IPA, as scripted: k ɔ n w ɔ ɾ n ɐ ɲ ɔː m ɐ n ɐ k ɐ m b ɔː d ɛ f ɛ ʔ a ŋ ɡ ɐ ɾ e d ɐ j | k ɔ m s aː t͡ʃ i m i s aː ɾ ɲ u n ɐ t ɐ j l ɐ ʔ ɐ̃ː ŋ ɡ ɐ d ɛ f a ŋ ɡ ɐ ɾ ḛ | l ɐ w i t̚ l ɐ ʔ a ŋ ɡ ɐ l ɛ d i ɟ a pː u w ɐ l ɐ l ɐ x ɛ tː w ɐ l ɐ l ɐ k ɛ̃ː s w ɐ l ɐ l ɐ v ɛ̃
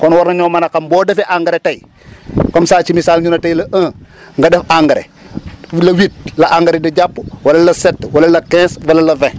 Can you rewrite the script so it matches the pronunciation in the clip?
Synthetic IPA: k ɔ n w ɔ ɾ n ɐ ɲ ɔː m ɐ n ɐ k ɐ m b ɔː d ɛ f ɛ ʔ a ŋ ɡ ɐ ɾ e t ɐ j | k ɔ m s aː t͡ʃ i m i s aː l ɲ u n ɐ t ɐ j l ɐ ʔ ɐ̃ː ŋ ɡ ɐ d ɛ f a ŋ ɡ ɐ ɾ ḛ | l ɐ w i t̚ l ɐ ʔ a ŋ ɡ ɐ ɾ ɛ d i ɟ a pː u w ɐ l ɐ l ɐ s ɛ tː w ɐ l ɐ l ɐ k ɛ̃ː s w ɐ l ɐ l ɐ v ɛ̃